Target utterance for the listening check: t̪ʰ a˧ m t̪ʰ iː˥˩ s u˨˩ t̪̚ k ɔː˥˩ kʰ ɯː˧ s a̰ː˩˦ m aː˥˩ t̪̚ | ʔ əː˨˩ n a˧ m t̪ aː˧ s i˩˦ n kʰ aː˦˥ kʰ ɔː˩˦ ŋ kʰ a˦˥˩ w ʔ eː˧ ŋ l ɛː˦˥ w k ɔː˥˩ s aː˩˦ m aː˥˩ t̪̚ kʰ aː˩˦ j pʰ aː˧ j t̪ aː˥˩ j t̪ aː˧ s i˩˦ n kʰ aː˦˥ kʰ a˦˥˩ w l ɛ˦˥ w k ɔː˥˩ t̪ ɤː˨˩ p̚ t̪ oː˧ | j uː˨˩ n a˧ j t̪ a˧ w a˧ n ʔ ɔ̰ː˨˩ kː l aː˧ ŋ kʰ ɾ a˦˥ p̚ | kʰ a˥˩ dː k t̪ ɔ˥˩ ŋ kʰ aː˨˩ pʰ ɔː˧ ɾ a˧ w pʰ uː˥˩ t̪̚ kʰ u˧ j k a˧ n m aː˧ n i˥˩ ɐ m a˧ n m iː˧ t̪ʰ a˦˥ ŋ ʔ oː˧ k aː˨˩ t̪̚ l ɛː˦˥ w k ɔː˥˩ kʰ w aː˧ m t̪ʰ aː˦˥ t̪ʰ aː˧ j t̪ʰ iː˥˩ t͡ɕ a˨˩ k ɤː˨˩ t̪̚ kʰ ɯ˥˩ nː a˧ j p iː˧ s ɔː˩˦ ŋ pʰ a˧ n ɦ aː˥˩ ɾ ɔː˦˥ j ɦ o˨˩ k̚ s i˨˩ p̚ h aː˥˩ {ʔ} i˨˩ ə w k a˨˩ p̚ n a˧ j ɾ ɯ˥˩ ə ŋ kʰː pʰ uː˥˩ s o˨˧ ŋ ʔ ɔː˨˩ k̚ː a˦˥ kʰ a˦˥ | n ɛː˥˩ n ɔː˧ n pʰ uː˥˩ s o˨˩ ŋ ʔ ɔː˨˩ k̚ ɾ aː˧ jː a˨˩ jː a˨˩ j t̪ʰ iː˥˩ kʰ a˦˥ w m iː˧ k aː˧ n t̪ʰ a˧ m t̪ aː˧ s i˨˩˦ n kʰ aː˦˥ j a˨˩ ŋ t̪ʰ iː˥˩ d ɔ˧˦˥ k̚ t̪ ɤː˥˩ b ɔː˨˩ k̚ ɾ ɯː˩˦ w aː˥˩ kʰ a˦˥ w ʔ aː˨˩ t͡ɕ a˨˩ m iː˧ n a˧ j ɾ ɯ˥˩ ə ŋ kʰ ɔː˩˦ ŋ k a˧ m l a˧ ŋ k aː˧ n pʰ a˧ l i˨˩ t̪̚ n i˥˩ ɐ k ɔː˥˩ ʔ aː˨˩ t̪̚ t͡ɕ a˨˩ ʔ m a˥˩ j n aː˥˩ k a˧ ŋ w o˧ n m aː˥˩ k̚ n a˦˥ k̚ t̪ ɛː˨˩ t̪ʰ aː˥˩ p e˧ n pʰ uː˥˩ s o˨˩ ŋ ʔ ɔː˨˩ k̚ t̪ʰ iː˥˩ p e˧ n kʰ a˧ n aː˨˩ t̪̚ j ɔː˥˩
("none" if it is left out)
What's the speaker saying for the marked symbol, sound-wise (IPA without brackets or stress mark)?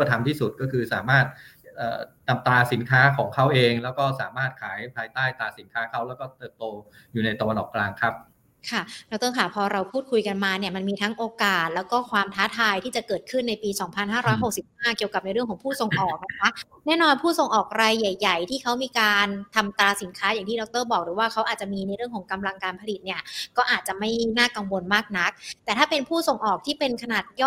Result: k